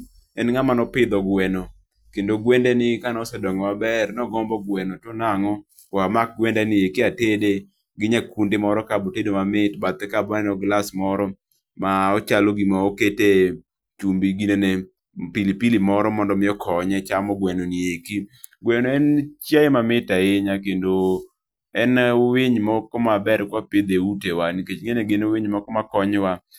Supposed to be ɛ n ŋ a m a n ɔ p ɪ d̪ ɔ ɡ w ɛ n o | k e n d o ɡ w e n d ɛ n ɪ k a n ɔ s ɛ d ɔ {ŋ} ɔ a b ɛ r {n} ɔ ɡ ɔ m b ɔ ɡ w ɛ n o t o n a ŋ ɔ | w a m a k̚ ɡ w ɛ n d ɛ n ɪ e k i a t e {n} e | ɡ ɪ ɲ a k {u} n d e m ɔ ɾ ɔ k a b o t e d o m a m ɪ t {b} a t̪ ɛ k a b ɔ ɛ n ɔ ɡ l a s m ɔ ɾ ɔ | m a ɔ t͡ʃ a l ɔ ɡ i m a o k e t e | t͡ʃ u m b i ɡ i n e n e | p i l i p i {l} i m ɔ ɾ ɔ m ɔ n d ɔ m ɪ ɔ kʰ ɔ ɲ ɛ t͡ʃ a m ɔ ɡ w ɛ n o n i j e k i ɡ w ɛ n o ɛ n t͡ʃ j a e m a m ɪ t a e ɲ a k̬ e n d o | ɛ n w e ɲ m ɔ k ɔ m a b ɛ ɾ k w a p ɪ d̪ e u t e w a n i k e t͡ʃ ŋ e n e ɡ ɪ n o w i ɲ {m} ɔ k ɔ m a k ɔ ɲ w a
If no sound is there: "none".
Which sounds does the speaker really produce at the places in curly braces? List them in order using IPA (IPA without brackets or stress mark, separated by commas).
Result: ŋ, n, d, u, b, l, m